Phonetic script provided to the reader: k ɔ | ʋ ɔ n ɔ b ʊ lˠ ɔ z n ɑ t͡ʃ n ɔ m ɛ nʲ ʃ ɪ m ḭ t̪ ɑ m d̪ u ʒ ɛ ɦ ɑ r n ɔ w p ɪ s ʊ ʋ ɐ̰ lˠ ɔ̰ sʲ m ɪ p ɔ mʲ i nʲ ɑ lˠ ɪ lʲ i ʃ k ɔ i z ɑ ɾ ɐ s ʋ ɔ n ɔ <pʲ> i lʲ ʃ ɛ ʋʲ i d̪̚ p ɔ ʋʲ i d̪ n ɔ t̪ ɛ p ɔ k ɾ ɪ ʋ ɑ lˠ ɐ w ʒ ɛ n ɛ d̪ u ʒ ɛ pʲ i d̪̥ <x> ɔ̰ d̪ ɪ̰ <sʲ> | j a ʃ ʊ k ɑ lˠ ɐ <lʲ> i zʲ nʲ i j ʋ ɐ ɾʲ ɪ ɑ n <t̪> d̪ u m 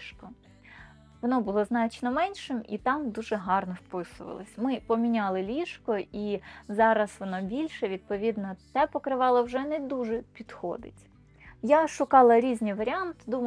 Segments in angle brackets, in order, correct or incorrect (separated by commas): incorrect, correct, incorrect, incorrect, correct